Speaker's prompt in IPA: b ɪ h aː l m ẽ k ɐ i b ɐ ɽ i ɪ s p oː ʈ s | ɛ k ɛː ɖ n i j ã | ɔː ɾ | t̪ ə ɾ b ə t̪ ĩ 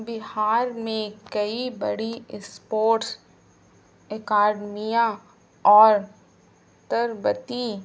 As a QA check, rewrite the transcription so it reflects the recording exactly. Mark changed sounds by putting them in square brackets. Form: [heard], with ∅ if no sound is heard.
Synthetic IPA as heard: b ɪ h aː [ɾ] m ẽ k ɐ i b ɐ ɽ i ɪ s p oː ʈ s | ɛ k [aː] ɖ [m] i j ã | ɔː ɾ | t̪ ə ɾ b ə t̪ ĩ